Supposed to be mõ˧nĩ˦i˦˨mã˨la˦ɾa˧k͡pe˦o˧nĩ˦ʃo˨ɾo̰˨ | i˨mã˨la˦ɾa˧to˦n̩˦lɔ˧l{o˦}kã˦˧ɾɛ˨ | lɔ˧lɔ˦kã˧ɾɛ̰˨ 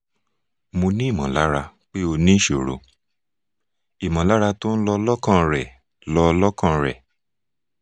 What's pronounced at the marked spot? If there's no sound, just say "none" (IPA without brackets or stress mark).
ɔ˦